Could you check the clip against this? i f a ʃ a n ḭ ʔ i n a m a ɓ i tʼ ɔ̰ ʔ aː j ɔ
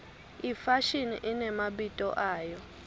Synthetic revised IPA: i f a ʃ i n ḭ ʔ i n ɛ m a ɓ i tʼ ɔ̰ ʔ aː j ɔ